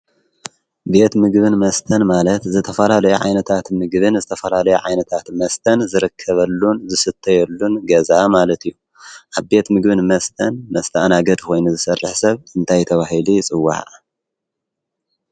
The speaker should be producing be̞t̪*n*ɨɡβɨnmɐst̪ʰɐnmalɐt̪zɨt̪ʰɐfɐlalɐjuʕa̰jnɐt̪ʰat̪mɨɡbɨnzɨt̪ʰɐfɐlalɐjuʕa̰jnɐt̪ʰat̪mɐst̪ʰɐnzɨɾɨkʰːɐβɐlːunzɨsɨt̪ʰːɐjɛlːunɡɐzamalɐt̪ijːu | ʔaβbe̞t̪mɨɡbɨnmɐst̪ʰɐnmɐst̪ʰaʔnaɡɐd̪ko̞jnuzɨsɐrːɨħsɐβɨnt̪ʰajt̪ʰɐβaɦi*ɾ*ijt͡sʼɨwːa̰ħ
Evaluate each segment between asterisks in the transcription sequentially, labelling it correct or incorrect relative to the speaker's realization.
incorrect: m, incorrect: l

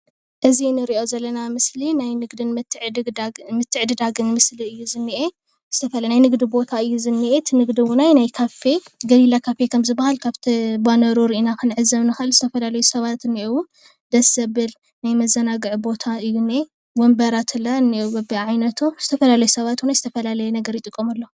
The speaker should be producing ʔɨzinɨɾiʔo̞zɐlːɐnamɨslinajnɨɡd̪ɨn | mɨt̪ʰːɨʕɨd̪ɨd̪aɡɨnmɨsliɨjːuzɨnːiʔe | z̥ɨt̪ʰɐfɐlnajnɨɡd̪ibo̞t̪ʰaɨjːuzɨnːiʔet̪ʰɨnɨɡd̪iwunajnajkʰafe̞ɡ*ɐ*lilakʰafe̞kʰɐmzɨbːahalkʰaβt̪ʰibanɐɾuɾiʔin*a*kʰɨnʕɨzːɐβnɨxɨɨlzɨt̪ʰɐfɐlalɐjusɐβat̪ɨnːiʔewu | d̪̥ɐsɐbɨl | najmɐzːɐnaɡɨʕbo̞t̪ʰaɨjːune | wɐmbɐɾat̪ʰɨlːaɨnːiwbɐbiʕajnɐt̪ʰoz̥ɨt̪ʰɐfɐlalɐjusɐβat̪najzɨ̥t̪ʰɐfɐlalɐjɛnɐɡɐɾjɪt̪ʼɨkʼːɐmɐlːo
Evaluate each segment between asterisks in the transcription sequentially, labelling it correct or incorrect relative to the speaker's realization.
correct, correct

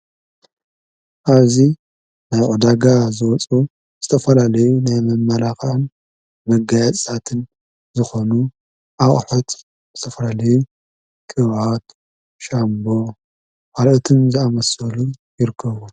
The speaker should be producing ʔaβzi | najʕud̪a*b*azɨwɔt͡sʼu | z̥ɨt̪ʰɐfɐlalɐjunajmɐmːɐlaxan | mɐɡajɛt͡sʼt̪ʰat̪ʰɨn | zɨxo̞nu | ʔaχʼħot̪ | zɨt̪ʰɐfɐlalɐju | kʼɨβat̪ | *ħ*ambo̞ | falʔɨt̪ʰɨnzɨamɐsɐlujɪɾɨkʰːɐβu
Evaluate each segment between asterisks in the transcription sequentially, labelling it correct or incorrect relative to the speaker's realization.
incorrect: ɡ, incorrect: ʃ

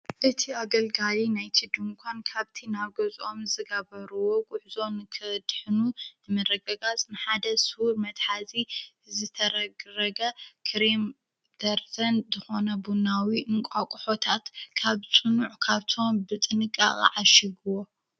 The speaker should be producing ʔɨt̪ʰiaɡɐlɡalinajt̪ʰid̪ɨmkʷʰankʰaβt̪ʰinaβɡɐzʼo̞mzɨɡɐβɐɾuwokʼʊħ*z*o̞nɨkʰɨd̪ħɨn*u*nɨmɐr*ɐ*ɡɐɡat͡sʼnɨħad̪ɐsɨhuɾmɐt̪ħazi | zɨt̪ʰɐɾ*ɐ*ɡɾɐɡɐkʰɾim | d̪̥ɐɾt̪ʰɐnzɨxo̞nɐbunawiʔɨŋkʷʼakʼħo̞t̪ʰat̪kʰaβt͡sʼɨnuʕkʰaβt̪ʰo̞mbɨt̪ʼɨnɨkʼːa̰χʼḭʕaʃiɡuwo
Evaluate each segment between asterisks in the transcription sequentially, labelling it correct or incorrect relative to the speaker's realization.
correct, correct, correct, correct

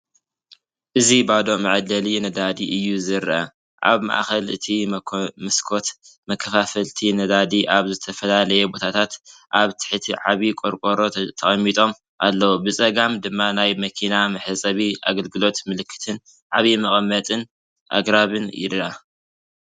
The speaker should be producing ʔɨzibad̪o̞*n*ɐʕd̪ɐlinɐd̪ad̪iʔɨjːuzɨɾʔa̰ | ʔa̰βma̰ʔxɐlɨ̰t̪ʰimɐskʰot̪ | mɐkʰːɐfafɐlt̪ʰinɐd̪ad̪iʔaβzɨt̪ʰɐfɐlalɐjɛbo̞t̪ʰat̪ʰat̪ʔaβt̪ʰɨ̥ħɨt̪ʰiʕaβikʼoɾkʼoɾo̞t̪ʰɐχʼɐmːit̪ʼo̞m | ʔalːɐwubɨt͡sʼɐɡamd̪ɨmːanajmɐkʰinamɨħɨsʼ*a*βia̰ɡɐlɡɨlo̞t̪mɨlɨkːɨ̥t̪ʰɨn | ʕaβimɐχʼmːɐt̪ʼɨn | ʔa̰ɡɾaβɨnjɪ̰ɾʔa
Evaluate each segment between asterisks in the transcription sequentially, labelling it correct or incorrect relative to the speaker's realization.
incorrect: m, incorrect: ɐ

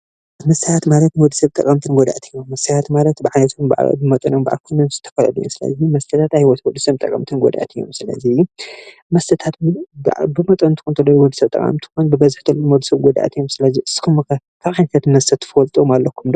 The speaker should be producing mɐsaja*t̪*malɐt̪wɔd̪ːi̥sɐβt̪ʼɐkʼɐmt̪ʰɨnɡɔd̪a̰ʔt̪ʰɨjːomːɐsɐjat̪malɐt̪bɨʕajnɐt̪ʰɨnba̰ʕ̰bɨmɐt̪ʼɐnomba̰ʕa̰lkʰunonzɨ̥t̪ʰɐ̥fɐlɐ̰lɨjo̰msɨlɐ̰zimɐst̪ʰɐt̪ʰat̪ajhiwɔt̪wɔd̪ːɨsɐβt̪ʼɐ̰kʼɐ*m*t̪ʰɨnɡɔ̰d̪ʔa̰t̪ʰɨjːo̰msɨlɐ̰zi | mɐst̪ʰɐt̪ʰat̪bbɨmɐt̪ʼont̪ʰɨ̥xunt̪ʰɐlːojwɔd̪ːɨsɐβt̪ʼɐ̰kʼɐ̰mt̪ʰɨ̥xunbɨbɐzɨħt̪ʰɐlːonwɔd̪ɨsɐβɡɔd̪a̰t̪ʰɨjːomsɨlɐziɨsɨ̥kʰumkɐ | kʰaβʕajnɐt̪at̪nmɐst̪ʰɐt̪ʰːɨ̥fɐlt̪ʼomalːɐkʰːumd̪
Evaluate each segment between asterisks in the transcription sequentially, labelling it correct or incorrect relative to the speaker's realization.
correct, correct

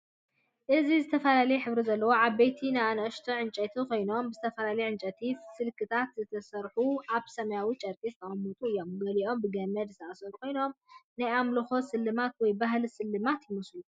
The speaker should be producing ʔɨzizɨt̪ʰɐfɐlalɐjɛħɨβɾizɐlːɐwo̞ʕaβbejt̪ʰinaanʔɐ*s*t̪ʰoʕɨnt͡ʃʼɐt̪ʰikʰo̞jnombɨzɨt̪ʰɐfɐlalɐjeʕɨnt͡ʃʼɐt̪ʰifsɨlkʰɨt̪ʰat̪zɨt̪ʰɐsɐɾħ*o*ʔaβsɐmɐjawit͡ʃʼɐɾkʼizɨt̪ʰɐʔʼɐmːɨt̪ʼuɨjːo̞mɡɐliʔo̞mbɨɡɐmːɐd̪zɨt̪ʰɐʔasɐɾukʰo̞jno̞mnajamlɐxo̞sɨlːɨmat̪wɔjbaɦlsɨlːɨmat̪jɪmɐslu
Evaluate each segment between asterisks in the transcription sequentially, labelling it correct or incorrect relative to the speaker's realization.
incorrect: ʃ, incorrect: u

